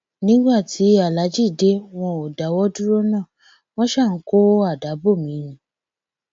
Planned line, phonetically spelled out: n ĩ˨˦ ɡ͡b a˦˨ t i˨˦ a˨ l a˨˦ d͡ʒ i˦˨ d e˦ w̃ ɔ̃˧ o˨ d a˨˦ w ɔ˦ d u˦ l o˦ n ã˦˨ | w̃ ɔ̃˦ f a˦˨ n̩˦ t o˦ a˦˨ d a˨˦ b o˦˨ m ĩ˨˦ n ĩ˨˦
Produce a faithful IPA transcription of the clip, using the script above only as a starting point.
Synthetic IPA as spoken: n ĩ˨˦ ɡ͡b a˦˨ t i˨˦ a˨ l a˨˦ d͡ʒ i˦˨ d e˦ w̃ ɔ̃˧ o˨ d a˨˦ w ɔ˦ d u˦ ɾ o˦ n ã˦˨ | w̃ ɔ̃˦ ʃ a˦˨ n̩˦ k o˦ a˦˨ d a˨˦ b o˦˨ m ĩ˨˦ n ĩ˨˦